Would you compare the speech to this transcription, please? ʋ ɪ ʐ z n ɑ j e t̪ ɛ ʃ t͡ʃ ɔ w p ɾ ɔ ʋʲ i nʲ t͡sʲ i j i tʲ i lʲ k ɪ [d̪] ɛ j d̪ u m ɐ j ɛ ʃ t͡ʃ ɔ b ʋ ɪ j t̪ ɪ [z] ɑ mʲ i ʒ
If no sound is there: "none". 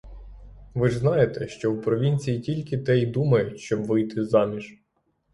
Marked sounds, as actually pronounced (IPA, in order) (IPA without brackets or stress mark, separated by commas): t̪, z